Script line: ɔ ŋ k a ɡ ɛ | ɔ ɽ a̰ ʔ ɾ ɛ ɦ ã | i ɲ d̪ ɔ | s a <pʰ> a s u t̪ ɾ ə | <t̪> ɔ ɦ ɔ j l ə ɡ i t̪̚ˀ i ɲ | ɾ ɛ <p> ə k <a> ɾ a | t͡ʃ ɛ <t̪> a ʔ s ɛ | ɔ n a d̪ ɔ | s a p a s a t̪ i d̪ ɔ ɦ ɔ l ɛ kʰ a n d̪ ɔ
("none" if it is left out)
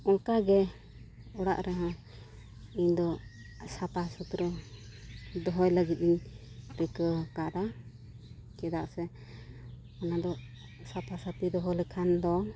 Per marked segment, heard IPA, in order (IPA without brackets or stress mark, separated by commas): p, d̪, k, a, d̪